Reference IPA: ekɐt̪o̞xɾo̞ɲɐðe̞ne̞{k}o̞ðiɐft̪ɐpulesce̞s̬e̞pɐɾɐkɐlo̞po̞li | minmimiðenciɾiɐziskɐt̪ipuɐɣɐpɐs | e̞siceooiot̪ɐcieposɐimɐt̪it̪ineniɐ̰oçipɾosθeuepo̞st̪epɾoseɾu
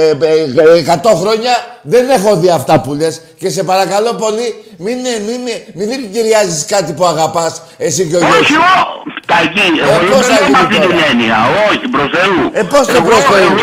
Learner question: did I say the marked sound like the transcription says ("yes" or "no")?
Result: no